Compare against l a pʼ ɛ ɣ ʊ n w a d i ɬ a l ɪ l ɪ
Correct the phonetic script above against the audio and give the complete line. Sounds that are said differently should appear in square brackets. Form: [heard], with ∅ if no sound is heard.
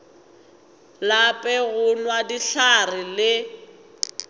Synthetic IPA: l a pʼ ɛ ɣ ʊ n w a d i ɬ a [r] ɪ l ɪ